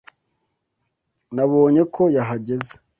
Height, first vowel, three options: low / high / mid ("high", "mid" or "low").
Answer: low